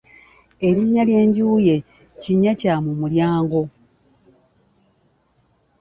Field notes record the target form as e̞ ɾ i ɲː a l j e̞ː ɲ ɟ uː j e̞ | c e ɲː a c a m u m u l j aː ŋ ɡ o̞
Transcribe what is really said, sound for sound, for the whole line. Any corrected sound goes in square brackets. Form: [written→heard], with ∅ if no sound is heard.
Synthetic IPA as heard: e̞ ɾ i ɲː a l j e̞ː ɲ ɟ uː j e̞ | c [e→i] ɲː a c a m u m u l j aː ŋ ɡ o̞